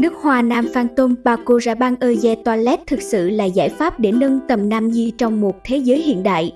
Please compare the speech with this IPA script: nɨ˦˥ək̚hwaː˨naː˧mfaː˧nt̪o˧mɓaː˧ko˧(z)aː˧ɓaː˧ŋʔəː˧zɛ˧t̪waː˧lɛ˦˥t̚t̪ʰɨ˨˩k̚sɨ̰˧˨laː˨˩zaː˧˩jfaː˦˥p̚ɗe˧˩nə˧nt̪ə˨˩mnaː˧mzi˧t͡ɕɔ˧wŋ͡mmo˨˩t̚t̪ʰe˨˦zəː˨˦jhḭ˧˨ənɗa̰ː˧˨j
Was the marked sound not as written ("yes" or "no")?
no